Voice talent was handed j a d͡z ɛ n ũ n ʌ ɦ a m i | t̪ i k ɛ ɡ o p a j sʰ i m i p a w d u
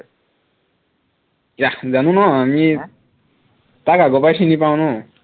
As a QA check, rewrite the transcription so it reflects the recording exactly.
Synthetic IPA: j a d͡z a n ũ n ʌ ɦ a m i | t̪ a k a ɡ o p a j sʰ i n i p a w n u